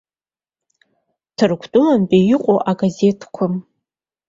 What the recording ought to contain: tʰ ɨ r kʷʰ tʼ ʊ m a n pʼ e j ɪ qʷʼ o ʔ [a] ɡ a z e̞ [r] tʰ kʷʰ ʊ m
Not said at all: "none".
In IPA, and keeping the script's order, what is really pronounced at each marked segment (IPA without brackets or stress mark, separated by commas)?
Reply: a, none